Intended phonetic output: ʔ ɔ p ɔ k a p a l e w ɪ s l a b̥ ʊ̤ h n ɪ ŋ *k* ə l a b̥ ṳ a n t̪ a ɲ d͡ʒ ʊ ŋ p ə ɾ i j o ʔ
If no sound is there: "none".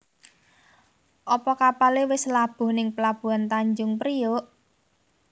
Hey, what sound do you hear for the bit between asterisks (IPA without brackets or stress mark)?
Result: p